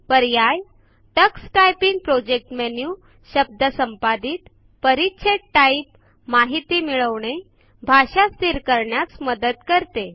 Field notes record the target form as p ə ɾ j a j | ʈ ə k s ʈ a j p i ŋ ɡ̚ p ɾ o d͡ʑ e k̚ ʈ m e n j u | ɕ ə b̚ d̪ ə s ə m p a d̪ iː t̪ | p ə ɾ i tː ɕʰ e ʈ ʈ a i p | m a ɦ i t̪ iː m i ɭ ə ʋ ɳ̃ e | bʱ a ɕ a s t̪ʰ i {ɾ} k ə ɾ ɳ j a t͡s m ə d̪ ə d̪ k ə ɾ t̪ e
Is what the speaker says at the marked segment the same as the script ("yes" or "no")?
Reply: yes